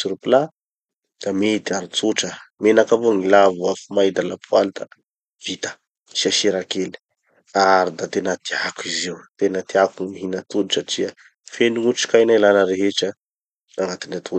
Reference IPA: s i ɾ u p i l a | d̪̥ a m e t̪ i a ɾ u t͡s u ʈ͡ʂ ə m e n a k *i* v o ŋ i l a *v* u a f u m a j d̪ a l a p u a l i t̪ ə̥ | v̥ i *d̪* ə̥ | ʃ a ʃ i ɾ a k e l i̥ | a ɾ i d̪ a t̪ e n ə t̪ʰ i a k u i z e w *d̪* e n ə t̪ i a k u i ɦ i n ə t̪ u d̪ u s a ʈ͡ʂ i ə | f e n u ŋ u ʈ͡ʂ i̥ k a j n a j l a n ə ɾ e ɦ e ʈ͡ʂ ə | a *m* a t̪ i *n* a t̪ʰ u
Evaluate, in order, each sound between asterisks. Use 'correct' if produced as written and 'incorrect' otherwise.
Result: incorrect, correct, incorrect, incorrect, incorrect, correct

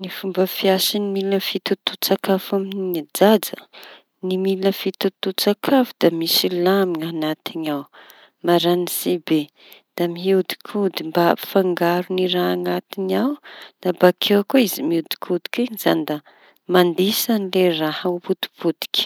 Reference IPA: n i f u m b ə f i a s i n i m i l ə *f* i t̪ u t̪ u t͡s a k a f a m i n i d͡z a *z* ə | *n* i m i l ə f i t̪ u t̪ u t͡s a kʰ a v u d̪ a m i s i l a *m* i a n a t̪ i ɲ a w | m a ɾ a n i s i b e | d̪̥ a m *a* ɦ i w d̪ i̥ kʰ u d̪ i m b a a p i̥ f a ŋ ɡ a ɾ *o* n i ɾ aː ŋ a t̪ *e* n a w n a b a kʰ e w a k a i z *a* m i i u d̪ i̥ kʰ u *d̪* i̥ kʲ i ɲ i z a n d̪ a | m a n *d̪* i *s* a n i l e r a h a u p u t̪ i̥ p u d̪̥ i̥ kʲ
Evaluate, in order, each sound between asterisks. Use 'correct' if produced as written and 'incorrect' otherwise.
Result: correct, incorrect, correct, correct, incorrect, incorrect, incorrect, incorrect, correct, correct, correct

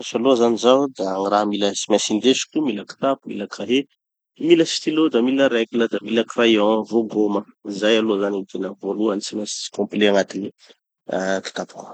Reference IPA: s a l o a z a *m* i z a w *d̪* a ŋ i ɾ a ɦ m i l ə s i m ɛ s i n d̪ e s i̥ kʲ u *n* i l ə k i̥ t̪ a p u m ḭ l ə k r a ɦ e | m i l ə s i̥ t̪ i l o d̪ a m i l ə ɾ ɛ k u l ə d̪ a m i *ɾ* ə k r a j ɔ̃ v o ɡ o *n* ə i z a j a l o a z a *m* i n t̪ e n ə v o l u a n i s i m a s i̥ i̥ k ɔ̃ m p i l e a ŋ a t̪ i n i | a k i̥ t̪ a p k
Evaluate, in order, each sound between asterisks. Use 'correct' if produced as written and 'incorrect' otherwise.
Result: incorrect, correct, incorrect, incorrect, incorrect, incorrect

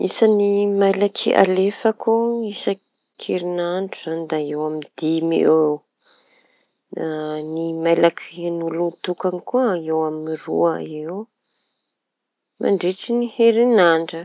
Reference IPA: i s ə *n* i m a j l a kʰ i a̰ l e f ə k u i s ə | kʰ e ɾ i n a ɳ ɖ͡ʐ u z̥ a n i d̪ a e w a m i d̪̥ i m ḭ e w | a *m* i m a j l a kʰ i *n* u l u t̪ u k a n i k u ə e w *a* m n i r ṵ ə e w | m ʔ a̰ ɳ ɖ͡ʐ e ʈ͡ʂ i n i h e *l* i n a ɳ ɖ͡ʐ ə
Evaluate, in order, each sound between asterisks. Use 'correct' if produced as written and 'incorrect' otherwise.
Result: correct, incorrect, correct, correct, incorrect

